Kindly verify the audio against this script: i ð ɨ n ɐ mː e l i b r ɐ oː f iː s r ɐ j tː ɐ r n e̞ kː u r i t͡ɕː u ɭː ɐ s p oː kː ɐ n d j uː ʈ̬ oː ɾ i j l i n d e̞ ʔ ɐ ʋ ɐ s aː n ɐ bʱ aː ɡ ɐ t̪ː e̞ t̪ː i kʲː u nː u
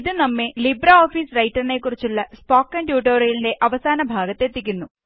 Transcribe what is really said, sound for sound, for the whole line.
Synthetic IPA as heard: i ð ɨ n ɐ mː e l i b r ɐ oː f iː s r ɐ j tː ɐ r n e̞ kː u r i t͡ɕː u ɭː ɐ s p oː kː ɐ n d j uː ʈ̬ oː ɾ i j l i n d e̞ ʔ ɐ ʋ ɐ s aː n ɐ bʱ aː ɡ ɐ t̪ː e̞ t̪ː i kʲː u nː u